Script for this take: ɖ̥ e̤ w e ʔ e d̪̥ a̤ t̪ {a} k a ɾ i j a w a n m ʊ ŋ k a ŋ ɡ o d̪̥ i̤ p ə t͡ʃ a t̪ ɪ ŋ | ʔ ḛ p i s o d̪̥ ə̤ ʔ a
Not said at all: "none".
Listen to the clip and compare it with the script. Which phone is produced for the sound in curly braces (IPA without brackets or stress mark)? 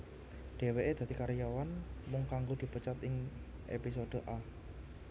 i